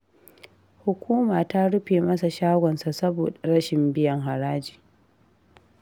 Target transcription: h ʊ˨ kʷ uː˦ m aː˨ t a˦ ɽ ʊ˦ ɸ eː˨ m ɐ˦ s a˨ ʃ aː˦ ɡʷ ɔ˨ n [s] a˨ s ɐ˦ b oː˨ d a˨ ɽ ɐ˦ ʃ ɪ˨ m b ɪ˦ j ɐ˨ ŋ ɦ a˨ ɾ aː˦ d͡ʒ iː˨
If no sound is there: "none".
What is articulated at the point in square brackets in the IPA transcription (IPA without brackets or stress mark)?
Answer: s